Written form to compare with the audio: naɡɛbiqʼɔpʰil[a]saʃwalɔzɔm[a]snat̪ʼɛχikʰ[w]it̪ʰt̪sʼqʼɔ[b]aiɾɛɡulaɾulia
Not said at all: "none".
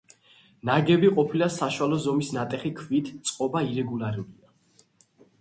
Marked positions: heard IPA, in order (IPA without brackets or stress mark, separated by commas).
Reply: a, i, v, b